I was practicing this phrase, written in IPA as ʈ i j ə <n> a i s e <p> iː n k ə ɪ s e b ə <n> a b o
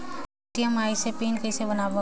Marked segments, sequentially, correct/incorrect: incorrect: m, correct, correct

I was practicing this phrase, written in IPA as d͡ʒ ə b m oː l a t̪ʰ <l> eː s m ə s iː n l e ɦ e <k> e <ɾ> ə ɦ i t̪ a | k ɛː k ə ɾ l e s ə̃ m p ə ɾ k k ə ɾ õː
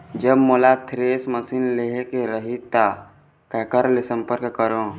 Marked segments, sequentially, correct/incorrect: incorrect: ɾ, correct, correct

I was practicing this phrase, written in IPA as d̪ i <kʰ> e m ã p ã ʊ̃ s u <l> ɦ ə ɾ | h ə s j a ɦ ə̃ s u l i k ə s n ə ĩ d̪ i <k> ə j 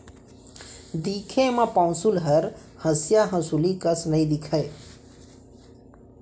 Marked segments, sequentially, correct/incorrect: correct, correct, incorrect: kʰ

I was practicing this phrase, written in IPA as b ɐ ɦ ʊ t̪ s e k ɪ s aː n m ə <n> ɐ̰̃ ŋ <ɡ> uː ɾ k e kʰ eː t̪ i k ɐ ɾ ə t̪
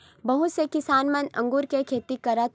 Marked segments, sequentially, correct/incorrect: correct, correct

